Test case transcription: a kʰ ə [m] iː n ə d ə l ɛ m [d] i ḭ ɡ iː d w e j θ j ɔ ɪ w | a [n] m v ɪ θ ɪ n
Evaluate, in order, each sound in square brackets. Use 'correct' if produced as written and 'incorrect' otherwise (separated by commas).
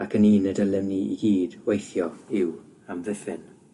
incorrect, incorrect, incorrect